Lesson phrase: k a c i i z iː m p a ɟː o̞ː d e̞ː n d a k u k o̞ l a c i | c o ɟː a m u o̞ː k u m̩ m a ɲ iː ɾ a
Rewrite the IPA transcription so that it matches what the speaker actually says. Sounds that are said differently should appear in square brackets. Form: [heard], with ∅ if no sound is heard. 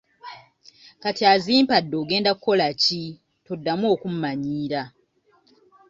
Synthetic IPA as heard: k a [t] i [a] z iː m p a [dː] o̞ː [ɡ] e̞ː n d a k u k o̞ l a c i | [t] o [dː] a m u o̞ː k u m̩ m a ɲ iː ɾ a